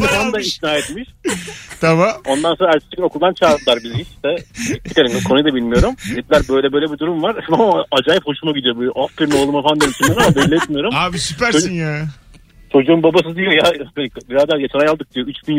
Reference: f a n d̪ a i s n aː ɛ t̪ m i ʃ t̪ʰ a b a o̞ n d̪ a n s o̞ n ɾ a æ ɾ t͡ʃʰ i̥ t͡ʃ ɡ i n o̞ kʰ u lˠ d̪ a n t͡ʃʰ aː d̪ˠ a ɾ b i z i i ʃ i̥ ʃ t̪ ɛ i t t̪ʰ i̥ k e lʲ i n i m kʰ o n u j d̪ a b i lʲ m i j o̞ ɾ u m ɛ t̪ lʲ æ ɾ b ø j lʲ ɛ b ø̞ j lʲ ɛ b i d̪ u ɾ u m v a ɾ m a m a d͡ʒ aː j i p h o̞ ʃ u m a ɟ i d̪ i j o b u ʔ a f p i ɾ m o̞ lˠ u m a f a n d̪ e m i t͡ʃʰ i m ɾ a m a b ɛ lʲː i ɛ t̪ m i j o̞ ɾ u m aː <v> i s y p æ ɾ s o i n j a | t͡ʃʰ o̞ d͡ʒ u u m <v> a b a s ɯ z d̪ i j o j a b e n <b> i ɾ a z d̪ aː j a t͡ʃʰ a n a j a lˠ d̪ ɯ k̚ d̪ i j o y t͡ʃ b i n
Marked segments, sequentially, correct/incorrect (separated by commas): incorrect, incorrect, correct